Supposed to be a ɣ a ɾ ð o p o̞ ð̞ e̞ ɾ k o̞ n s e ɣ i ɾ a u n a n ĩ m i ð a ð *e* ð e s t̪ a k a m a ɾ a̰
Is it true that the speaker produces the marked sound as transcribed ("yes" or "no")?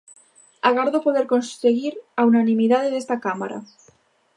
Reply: yes